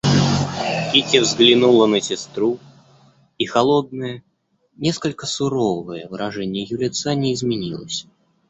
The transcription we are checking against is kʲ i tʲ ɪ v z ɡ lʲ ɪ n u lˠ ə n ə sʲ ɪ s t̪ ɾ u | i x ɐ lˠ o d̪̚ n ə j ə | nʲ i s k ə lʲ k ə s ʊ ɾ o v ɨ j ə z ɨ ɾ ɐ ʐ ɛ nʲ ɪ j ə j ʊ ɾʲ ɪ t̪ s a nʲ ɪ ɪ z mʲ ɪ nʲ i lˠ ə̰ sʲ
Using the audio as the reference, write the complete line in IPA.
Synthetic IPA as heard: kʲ i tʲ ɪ v z ɡ lʲ ɪ n u lˠ ə n ə sʲ ɪ s t̪ ɾ u | i x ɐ lˠ o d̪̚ n ə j ə | nʲ e s k ə lʲ k ə s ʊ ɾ o v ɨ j ə v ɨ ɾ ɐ ʐ ɛ nʲ ɪ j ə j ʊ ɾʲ ɪ t̪ s a nʲ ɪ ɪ z mʲ ɪ nʲ i lˠ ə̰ sʲ

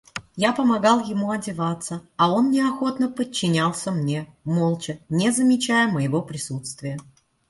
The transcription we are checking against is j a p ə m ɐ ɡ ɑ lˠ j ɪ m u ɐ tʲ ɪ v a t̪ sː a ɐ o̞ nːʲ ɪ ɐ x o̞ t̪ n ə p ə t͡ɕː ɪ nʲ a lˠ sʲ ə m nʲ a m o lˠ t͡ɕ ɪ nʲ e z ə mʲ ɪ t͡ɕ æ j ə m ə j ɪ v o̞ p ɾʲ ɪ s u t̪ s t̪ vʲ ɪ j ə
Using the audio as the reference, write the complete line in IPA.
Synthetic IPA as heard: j a p ə m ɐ ɡ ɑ lˠ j ɪ m u ɐ dʲ ɪ v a t̪ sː ə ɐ o̞ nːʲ ɪ ɐ x o̞ t̪ n ə p ə t͡ɕː ɪ nʲ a lˠ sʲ ə m nʲ e m o lˠ t͡ɕ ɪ nʲ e z ə mʲ ɪ t͡ɕ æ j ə m ə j ɪ v o̞ p ɾʲ ɪ s u t̪ s t̪ vʲ ɪ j ə

